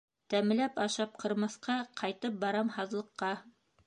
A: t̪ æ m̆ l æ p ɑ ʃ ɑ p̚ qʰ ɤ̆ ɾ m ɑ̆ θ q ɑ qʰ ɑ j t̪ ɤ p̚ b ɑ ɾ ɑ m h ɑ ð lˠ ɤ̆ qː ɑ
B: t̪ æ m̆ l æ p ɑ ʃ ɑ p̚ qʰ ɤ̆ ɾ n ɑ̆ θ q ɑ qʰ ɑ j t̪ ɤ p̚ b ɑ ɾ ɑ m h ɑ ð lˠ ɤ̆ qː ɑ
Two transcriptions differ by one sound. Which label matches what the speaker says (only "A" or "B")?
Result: A